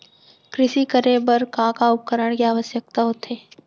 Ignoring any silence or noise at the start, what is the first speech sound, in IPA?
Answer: k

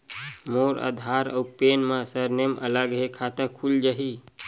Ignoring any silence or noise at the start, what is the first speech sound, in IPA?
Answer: m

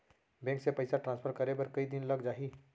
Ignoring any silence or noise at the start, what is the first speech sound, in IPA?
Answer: b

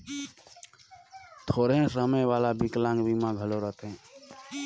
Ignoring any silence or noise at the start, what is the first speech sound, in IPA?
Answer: t̪ʰ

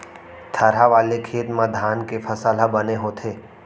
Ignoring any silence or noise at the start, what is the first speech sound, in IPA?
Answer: t̪ʰ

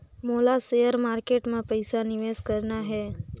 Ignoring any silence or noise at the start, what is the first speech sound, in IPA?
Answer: m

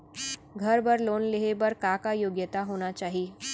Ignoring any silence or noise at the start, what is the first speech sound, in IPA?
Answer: ɡʱ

